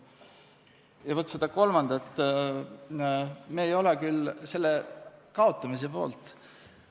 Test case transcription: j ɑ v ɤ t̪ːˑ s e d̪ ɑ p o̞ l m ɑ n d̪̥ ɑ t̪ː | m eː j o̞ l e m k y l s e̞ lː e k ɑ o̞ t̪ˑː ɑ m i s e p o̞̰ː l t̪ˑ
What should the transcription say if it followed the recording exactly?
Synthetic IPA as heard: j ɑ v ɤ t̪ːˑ s e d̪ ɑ k o̞ l m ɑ n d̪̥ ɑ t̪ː | m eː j o̞ l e k y l s e̞ lː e k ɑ o̞ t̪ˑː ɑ m i s e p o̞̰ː l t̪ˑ